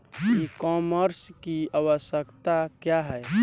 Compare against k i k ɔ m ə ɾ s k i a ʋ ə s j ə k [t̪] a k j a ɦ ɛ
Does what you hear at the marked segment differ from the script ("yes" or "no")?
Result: no